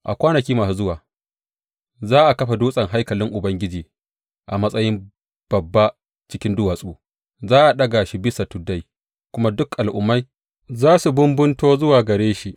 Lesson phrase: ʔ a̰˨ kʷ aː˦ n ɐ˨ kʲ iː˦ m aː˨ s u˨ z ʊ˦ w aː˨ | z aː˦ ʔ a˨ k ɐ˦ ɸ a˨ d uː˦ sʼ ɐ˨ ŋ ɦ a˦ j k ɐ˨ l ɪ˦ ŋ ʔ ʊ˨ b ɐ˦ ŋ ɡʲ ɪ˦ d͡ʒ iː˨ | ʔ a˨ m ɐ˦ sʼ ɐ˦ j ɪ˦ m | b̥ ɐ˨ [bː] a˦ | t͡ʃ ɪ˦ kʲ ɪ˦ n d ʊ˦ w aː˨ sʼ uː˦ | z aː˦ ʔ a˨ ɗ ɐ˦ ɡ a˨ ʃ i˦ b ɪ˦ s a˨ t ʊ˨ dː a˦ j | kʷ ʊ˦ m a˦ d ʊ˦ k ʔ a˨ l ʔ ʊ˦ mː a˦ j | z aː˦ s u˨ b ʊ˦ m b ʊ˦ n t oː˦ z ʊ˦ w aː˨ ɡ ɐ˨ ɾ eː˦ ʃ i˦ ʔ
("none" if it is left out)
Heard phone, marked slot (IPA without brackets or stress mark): bː